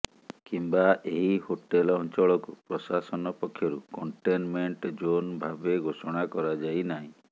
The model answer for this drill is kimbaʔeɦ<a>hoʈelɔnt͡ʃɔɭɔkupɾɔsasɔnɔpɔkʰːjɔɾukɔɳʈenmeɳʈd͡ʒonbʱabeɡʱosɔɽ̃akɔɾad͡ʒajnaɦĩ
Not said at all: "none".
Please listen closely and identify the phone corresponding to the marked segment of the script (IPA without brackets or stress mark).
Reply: i